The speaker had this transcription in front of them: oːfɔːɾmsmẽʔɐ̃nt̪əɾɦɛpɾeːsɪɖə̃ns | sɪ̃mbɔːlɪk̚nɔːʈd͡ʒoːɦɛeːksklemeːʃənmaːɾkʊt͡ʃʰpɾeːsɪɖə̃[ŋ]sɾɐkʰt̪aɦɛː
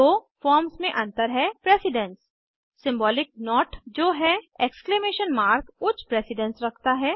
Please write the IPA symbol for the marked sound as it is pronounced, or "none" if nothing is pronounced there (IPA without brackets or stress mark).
n